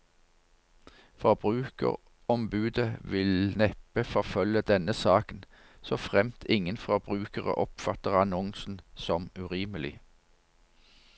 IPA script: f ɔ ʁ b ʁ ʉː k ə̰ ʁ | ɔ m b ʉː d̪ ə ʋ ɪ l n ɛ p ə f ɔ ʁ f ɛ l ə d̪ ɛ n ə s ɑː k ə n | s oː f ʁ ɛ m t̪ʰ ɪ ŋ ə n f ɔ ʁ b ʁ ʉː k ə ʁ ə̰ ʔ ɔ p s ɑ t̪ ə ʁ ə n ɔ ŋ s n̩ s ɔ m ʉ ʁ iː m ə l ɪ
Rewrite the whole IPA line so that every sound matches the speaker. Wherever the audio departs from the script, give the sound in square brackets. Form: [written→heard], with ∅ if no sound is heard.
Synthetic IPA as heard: f ɔ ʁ b ʁ ʉː k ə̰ ʁ | ɔ m b ʉː d̪ ə ʋ ɪ l n ɛ p ə f ɔ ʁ f [ɛ→œ] l ə d̪ ɛ n ə s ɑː k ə n | s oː f ʁ ɛ m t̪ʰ ɪ ŋ ə n f ɔ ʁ b ʁ ʉː k ə ʁ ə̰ ʔ ɔ p [s→f] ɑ t̪ ə ʁ [ə→ɑ] n ɔ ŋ s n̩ s ɔ m ʉ ʁ iː m ə l ɪ

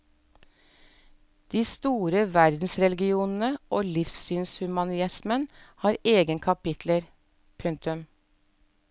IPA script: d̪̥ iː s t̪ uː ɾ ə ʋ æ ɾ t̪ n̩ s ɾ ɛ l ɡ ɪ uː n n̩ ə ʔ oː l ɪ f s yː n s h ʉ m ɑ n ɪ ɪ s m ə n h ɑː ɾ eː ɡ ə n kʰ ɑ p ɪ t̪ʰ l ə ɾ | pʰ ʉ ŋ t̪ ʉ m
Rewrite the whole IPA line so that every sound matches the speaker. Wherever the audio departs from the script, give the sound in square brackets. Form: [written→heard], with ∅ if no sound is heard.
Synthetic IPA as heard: d̪̥ iː s t̪ uː ɾ ə ʋ æ ɾ [t̪→d̪] n̩ s ɾ ɛ l ɡ ɪ uː n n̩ ə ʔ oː l ɪ f s yː n s h ʉ m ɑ n ɪ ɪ s m ə n h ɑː ɾ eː ɡ ə n kʰ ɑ p ɪ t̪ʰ l ə ɾ | pʰ ʉ ŋ t̪ ʉ m

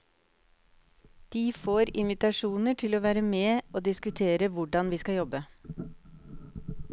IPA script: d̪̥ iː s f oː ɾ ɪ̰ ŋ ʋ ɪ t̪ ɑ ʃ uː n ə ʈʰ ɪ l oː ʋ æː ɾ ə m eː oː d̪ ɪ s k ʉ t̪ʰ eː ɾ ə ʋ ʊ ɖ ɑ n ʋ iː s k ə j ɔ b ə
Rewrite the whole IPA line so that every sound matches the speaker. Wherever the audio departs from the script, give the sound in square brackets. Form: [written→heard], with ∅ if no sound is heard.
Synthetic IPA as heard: d̪̥ iː [s→∅] f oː ɾ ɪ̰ [ŋ→n] ʋ ɪ t̪ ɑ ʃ uː n ə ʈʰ ɪ l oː ʋ æː ɾ ə m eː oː d̪ ɪ s k ʉ t̪ʰ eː ɾ ə ʋ ʊ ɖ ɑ n ʋ iː s k [ə→ɑ] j ɔ b ə

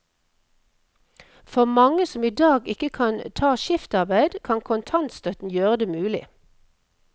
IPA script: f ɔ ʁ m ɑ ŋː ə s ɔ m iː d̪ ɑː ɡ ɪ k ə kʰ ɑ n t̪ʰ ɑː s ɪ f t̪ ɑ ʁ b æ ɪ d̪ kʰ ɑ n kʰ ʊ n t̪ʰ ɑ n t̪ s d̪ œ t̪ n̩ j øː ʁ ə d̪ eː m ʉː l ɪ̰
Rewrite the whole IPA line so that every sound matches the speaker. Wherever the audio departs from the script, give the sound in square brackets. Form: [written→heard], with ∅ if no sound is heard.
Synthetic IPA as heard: f ɔ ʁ m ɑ [ŋː→ŋ] ə s ɔ m iː d̪ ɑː ɡ ɪ k ə kʰ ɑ n t̪ʰ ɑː [s→ʃ] ɪ f t̪ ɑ ʁ b æ ɪ d̪ kʰ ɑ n kʰ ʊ n t̪ʰ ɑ n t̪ s [d̪→t̪] œ t̪ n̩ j øː ʁ ə d̪ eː m ʉː l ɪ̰

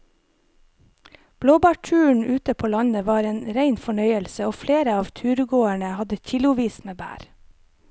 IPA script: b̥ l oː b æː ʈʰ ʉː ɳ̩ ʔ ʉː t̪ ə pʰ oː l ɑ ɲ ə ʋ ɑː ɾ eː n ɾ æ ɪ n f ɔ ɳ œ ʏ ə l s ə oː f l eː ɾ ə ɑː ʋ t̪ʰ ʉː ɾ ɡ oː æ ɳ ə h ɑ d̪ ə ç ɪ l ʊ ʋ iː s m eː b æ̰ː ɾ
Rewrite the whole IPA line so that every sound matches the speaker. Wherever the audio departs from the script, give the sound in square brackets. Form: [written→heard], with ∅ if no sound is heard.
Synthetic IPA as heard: b̥ l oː b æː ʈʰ ʉː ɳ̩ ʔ ʉː t̪ ə pʰ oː l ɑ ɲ ə ʋ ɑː ɾ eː n ɾ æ ɪ n f ɔ ɳ œ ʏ ə l s ə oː f l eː ɾ ə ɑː ʋ t̪ʰ ʉː ɾ ɡ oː æ ɳ ə h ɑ d̪ ə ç ɪ l ʊ ʋ iː s m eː b æ̰ː ɾ

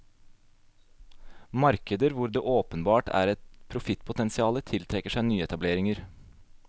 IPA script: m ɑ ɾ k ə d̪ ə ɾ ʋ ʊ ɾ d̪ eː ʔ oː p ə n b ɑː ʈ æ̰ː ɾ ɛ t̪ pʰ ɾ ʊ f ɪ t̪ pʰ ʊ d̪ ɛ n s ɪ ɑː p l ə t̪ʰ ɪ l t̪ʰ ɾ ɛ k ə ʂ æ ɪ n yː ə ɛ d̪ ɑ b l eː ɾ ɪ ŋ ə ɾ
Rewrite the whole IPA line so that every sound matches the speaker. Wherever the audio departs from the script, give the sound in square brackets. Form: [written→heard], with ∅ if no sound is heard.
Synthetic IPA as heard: m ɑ ɾ k ə d̪ ə ɾ ʋ ʊ ɾ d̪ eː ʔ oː p ə n b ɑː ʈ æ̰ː ɾ ɛ t̪ pʰ ɾ ʊ f ɪ t̪ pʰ ʊ [d̪→t̪] ɛ n s ɪ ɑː [p→∅] l ə t̪ʰ ɪ l t̪ʰ ɾ ɛ k ə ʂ æ ɪ n yː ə ɛ [d̪→t̪] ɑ b l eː ɾ ɪ ŋ ə ɾ

